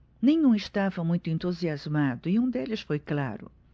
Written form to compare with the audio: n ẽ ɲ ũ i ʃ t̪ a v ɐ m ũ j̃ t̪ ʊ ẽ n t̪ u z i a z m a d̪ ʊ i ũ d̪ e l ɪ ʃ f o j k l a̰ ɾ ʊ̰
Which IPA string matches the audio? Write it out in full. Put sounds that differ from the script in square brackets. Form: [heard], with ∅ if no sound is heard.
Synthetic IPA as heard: n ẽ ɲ ũ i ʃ t̪ a v ɐ m ũ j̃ t̪ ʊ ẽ n t̪ u z i a z m a d̪ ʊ i ũ d̪ e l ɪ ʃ f o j k l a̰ ɾ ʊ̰